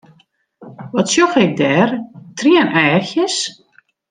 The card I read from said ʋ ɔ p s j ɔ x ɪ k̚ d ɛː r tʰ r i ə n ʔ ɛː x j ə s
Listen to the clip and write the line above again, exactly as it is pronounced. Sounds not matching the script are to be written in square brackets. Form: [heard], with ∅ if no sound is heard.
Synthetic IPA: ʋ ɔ [t] s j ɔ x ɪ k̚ d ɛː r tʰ r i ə n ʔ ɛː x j ə s